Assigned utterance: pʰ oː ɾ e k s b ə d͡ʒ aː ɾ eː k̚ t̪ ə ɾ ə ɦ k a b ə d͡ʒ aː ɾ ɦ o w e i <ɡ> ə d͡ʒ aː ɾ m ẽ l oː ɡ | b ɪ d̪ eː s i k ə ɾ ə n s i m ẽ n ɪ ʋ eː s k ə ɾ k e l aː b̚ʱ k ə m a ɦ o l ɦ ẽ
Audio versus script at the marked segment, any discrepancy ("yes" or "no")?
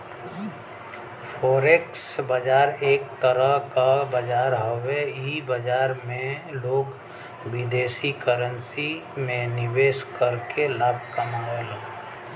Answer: yes